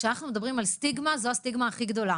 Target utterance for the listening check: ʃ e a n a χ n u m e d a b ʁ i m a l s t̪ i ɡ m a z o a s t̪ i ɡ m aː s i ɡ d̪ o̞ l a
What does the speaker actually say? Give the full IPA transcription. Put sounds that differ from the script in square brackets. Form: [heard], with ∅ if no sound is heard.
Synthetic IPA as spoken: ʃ e a n a χ n u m e d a b ʁ i m a l s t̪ i ɡ m a z o a s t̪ i ɡ m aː [χ] i ɡ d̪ o̞ l a